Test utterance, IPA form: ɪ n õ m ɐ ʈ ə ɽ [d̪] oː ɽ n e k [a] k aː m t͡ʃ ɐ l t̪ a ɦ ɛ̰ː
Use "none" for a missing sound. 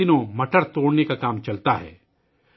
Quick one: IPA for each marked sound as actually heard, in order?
t̪, a

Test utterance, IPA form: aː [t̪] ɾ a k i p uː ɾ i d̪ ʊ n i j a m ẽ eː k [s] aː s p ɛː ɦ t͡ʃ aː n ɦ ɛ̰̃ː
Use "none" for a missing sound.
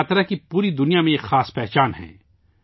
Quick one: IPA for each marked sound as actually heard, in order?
t̪, x

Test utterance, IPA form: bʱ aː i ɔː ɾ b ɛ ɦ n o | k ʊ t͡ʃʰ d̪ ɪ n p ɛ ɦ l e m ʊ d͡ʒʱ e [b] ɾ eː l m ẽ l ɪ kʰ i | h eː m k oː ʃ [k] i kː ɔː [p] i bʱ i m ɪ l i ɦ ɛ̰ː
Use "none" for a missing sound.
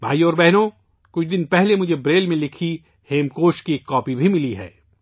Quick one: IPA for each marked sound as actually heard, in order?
b, k, p

